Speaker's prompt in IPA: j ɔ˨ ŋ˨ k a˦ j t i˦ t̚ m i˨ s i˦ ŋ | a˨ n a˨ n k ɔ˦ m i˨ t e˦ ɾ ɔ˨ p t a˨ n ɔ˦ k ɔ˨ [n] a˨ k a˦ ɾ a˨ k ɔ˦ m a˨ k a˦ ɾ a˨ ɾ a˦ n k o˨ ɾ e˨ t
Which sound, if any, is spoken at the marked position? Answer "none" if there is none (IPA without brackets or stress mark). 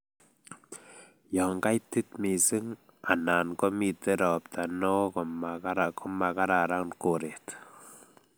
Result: m